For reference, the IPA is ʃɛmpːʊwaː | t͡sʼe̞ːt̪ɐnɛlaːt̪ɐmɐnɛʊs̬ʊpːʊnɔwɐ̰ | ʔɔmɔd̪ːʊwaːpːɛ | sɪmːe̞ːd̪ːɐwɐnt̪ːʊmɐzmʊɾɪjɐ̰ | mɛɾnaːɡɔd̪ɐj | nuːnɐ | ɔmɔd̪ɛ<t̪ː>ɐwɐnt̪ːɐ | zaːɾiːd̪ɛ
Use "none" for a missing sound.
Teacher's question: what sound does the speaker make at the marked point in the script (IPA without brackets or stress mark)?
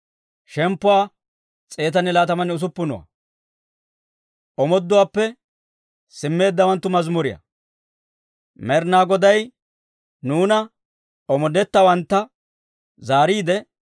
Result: t̪ː